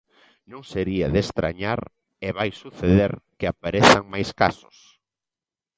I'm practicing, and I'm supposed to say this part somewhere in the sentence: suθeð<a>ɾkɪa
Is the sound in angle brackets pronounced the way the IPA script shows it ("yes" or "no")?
no